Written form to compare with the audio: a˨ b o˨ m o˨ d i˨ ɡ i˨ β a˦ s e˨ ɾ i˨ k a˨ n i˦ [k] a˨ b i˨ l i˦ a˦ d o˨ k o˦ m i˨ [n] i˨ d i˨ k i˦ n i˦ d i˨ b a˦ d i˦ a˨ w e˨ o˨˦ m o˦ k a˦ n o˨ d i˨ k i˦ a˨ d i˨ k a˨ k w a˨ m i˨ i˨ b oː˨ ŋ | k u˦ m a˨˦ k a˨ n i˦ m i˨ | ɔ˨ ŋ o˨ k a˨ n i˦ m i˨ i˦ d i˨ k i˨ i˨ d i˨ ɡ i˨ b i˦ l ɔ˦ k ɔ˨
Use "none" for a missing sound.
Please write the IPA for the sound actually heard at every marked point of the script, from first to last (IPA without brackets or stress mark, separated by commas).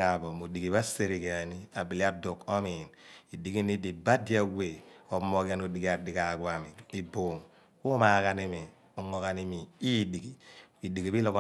none, n